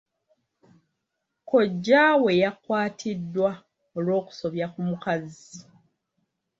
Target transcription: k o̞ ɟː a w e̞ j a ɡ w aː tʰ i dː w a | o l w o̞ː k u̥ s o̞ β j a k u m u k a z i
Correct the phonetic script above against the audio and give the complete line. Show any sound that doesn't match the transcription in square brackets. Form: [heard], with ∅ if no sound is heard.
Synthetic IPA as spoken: k o̞ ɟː a w e̞ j a [k] w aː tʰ i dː w a | o l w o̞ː k u̥ s o̞ β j a k u m u k a z i